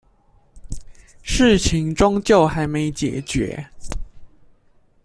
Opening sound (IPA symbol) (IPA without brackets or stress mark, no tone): ʂ